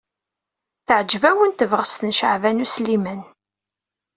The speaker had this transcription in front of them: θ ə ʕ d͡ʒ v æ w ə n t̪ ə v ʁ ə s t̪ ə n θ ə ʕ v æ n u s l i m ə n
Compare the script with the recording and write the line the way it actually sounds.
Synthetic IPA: θ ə ʕ d͡ʒ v æ w ə n t̪ ə v ʁ ə s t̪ ə n ʃ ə ʕ v æ n u s l i m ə n